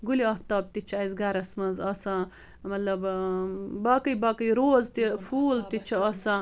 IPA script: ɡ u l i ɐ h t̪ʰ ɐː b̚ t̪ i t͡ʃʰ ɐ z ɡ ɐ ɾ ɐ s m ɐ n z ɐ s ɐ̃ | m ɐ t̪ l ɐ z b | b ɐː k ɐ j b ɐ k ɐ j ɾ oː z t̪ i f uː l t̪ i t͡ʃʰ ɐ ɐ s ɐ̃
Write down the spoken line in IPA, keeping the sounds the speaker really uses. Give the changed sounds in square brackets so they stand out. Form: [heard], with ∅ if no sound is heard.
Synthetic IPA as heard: ɡ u l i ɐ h [t̪] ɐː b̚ t̪ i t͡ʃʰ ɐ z ɡ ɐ ɾ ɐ s m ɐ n z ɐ s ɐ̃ | m ɐ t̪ l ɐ [∅] b | b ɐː k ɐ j b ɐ k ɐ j ɾ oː z t̪ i f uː l t̪ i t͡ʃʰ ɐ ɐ s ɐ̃

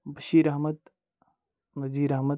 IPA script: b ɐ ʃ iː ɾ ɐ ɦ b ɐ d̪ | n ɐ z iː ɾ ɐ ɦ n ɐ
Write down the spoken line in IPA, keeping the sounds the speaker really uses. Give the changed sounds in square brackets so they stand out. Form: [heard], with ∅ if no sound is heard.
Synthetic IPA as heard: b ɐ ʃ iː ɾ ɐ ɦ [m] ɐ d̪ | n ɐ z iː ɾ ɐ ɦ [m] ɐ

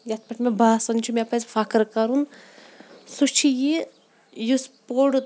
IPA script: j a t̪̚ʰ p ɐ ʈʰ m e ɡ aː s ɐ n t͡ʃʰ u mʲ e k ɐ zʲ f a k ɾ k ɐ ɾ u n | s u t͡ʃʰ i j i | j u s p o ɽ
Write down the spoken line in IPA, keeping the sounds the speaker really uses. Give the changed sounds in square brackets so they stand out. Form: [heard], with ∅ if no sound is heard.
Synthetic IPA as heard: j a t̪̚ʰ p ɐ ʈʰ m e [b] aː s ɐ n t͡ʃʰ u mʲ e [p] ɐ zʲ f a k ɾ k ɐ ɾ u n | s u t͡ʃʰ i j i | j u s p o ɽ

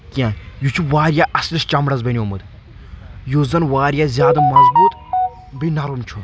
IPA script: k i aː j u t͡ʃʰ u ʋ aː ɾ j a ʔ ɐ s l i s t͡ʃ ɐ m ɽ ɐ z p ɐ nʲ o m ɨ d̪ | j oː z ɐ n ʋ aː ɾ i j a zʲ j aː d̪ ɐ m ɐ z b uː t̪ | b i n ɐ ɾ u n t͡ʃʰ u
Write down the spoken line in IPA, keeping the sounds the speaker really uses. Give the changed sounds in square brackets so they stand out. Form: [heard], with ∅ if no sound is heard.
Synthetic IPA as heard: k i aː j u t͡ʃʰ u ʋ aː ɾ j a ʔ ɐ s l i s t͡ʃ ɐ m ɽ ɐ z [b] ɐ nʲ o m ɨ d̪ | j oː z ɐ n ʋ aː ɾ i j a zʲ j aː d̪ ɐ m ɐ z b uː t̪ | b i n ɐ ɾ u [m] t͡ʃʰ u

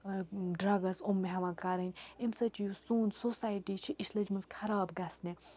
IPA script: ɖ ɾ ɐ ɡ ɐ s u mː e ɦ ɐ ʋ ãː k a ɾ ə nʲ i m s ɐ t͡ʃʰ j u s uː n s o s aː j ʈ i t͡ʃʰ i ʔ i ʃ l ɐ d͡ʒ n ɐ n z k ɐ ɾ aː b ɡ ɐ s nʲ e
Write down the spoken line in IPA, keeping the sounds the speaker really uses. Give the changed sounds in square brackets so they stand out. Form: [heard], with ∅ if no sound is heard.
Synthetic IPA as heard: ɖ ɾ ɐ ɡ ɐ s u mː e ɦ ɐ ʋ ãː k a ɾ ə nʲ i m s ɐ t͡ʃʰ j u s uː n s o s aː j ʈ i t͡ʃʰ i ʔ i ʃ l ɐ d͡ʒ [m] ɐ n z [kʰ] ɐ ɾ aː b ɡ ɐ s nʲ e

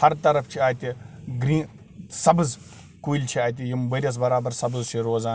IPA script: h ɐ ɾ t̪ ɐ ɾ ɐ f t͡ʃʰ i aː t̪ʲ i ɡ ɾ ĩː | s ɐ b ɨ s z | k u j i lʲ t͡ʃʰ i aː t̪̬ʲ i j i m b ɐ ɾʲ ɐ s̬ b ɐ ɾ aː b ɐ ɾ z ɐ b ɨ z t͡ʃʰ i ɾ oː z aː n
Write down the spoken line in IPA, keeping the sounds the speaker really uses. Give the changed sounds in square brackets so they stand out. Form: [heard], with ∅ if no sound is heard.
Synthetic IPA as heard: h ɐ ɾ t̪ ɐ ɾ ɐ f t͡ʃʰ i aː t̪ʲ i ɡ ɾ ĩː | s ɐ b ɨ [∅] z | k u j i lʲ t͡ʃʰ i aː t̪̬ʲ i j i m b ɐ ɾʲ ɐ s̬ b ɐ ɾ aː b ɐ ɾ [s] ɐ b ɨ z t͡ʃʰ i ɾ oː z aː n

